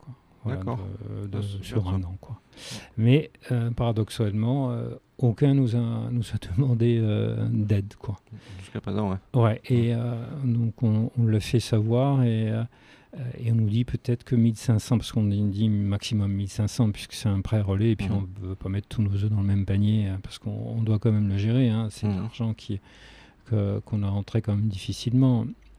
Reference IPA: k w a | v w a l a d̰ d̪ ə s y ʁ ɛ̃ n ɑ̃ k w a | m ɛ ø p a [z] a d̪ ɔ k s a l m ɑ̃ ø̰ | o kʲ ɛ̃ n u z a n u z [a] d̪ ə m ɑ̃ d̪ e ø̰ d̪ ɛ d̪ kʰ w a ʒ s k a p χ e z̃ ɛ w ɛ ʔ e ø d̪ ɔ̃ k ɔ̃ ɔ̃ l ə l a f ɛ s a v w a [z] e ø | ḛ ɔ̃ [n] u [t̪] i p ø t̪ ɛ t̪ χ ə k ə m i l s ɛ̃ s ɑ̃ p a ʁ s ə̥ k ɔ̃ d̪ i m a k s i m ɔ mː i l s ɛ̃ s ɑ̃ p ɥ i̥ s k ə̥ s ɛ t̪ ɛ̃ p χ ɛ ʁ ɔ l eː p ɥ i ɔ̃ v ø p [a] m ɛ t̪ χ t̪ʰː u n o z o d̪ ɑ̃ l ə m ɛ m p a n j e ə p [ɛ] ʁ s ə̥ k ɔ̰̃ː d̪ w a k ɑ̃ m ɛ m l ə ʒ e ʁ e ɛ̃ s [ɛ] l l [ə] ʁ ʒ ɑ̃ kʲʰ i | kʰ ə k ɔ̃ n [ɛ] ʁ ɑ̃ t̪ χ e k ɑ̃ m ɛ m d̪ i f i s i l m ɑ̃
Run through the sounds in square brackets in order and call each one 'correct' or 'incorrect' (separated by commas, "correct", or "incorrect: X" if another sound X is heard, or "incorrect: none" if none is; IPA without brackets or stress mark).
incorrect: ʁ, correct, incorrect: ʁ, correct, incorrect: d̪, correct, incorrect: a, correct, incorrect: a, incorrect: a